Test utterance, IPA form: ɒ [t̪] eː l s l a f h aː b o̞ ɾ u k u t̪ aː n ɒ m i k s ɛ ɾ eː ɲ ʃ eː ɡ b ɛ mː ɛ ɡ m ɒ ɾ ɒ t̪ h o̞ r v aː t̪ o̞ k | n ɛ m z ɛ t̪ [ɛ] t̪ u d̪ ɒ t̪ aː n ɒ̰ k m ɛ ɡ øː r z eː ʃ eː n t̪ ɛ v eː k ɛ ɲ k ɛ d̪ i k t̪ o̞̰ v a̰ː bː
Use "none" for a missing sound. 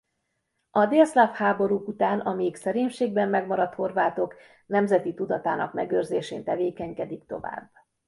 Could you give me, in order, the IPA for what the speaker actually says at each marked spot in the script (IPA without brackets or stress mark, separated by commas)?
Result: d̪, i